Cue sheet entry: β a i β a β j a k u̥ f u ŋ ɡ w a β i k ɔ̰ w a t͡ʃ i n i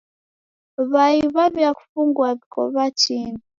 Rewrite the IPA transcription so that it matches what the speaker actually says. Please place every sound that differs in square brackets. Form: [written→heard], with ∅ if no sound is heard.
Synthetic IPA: β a i β a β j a k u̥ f u ŋ ɡ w a β i k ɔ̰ [w→β] a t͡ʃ i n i